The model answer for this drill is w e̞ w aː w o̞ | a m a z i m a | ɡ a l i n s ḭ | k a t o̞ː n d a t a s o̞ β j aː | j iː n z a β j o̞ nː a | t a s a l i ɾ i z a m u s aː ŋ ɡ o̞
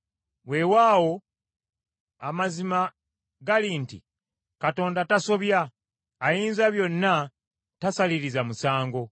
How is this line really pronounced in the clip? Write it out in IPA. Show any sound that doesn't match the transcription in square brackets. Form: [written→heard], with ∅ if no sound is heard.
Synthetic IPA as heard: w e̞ w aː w o̞ | a m a z i m a | ɡ a l i n [s→t] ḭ | k a t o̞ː n d a t a s o̞ β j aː | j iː n z a β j o̞ nː a | t a s a l i ɾ i z a m u s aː ŋ ɡ o̞